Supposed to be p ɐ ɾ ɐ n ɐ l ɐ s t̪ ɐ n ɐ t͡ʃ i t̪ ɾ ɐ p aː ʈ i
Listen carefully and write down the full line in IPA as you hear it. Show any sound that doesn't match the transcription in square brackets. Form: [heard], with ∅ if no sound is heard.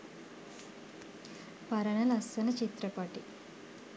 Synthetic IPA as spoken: p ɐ ɾ ɐ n ɐ l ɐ s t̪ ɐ n ɐ t͡ʃ i t̪ ɾ ɐ p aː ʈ i